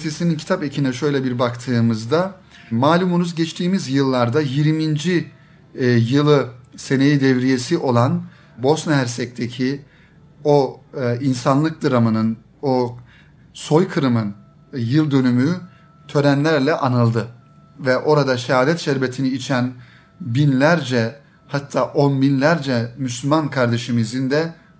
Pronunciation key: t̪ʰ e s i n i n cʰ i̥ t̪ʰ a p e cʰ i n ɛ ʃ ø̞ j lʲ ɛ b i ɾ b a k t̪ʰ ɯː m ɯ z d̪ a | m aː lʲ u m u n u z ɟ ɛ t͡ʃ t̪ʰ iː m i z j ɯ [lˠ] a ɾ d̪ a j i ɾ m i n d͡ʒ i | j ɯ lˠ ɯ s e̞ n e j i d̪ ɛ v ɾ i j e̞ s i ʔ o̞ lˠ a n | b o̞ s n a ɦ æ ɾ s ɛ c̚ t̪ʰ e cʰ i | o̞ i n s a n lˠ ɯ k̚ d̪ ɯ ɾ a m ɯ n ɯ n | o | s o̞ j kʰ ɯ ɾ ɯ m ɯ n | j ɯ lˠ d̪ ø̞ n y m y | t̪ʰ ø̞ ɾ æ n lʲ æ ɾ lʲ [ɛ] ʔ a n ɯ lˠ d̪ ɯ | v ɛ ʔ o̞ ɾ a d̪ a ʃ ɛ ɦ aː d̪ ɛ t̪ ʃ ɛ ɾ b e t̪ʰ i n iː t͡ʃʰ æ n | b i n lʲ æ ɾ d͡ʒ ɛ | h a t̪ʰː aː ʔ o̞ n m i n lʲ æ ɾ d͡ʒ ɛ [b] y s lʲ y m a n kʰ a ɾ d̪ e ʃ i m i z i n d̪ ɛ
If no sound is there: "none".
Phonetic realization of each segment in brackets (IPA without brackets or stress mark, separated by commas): lˠː, ɛ, m